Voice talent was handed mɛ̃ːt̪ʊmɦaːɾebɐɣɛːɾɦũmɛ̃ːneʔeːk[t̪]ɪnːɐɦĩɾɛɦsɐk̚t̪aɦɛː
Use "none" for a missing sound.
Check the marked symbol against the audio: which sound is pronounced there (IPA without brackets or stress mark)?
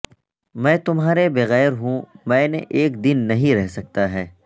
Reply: d̪